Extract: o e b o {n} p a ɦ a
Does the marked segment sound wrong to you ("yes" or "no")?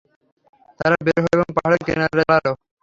yes